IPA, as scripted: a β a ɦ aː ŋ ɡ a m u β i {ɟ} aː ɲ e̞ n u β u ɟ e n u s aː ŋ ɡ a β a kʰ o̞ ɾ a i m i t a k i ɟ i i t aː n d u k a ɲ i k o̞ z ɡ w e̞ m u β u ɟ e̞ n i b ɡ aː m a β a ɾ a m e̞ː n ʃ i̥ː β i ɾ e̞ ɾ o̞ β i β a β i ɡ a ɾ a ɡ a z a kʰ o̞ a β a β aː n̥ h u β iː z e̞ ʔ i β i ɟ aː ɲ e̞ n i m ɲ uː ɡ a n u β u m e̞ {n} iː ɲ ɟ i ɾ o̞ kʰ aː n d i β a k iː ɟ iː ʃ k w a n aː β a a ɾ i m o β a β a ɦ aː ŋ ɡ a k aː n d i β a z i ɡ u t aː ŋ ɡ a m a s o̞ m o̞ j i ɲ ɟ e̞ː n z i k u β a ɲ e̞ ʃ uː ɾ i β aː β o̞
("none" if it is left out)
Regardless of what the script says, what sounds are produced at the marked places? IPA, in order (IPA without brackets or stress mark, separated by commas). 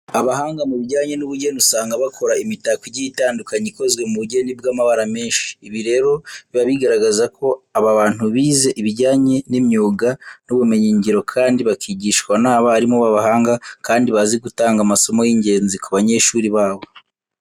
ɟ, ɲ